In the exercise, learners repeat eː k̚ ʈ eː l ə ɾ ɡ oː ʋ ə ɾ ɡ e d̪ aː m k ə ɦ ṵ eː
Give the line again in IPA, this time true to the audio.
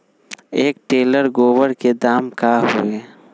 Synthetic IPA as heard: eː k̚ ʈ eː l ə ɾ ɡ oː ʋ ə ɾ k e d̪ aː m k a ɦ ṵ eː